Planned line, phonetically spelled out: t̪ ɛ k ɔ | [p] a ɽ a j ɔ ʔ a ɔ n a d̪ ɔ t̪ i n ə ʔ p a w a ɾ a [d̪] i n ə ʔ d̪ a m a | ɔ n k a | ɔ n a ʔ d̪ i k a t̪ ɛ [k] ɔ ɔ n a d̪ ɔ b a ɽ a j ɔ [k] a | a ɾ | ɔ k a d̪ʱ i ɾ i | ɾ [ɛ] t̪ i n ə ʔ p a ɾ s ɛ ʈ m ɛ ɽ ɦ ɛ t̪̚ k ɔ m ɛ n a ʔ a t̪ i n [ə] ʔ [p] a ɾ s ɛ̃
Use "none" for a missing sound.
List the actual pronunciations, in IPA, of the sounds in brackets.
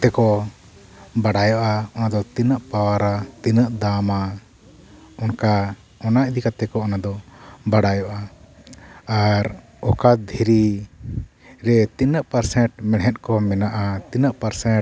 b, t̪, k, ʔ, ɛ, ə, p

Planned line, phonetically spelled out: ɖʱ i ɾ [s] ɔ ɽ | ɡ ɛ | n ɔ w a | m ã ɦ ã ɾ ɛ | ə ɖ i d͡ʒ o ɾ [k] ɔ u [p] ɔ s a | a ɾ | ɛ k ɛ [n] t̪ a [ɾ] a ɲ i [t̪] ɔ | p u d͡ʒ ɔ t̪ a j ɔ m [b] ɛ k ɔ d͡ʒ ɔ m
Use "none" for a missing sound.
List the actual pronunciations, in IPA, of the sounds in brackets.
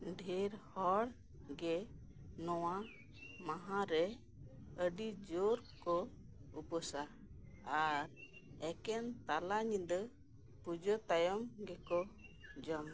h, k, p, n, l, d̪, ɡ

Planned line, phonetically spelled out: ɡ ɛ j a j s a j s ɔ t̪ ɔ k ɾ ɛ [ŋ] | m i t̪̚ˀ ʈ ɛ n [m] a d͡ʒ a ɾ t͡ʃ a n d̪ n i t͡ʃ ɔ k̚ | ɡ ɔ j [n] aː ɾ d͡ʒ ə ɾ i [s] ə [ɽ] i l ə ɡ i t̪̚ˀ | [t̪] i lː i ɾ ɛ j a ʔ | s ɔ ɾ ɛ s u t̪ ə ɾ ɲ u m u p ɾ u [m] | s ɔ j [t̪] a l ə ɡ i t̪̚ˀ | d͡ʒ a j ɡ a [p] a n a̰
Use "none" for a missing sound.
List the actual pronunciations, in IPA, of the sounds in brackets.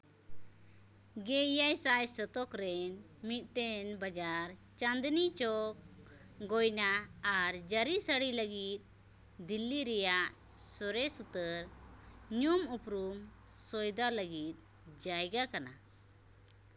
n, b, n, s, ɽ, d̪, m, d̪, k

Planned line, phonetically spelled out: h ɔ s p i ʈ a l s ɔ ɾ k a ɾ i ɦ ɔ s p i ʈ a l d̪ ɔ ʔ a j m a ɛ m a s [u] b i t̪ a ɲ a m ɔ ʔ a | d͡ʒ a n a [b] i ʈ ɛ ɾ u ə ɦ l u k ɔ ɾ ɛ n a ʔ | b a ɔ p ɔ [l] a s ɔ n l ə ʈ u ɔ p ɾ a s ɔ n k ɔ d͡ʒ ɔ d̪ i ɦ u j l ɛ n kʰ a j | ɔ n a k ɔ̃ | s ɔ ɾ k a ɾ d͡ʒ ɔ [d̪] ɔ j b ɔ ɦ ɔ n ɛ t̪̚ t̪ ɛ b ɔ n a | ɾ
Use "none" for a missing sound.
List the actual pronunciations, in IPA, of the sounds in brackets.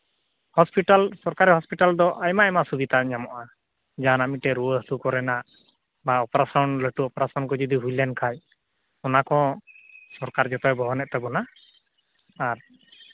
u, m, ɾ, t̪

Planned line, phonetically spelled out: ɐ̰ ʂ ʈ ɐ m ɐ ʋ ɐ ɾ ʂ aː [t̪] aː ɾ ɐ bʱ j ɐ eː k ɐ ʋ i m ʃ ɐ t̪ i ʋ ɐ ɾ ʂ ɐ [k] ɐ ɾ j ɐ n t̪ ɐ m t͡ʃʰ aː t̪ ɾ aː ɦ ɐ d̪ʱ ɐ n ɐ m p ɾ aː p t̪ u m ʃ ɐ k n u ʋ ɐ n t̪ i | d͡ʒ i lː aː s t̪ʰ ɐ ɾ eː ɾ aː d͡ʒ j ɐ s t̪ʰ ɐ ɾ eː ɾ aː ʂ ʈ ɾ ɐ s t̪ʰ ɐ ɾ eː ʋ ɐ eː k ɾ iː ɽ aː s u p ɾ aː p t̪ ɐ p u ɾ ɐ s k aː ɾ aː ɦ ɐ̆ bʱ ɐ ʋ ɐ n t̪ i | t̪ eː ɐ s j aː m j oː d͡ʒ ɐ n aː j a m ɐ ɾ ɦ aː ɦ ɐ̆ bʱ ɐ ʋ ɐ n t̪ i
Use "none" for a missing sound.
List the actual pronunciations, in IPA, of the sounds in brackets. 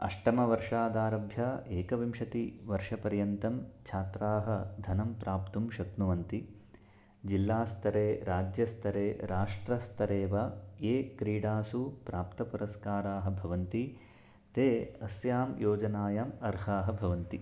d̪, p

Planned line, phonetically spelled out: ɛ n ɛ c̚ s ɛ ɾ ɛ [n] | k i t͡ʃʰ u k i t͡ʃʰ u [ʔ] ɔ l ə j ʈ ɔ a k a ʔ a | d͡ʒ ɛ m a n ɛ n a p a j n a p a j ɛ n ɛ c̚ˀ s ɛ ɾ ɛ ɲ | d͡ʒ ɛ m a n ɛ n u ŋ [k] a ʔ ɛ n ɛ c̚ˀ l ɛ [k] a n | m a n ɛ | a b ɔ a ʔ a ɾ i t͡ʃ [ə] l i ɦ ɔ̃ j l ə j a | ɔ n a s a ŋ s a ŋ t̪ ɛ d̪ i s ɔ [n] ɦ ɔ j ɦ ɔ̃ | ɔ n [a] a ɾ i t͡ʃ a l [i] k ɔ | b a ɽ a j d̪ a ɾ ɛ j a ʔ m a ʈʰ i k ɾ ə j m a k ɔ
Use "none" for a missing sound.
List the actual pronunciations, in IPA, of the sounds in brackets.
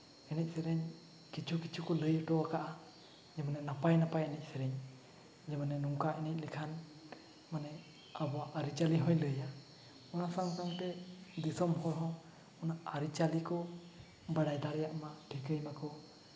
ɲ, k, k, kʰ, a, m, a, i

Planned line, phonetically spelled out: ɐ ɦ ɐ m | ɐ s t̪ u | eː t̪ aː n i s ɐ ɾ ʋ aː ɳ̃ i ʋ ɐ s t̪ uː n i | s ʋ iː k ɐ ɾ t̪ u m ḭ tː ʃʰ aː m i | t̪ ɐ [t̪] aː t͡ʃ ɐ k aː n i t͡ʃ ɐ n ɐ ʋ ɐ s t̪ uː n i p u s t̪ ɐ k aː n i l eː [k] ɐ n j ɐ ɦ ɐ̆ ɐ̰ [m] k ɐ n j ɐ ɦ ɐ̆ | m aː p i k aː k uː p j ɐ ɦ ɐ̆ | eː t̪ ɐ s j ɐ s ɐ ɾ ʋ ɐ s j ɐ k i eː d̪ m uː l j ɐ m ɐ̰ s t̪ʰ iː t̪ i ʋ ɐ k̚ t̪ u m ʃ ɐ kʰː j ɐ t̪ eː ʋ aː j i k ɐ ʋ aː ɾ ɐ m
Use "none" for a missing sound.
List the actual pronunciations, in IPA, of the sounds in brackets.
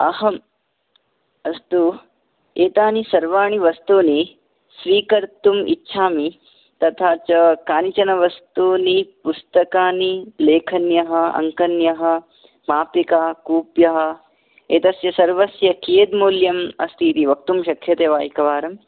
t̪ʰ, kʰ, ŋ

